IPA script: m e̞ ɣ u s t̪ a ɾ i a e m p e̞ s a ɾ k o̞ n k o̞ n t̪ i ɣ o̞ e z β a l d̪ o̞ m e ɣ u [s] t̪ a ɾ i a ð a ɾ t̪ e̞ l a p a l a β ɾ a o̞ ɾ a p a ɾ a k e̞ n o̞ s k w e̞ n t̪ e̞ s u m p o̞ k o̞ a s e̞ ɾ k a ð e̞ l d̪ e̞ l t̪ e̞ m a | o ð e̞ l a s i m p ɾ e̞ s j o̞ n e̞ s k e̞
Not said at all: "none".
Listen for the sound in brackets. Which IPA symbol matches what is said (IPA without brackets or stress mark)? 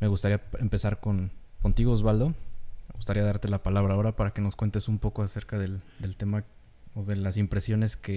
s